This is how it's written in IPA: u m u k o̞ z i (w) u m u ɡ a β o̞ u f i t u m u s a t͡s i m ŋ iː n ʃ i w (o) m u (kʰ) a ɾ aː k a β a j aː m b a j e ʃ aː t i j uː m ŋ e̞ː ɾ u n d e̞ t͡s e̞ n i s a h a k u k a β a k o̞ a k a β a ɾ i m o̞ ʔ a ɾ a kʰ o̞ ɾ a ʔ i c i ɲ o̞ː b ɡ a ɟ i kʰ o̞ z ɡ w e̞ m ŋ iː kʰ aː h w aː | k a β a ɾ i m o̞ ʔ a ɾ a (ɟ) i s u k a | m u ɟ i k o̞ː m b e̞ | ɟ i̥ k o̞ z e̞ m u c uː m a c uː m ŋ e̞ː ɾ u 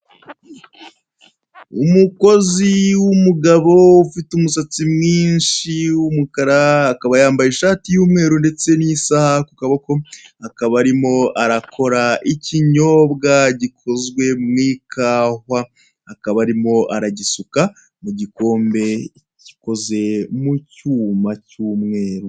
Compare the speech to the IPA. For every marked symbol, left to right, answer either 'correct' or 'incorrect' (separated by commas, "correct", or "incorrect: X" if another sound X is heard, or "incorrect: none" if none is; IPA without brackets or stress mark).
correct, incorrect: u, incorrect: k, correct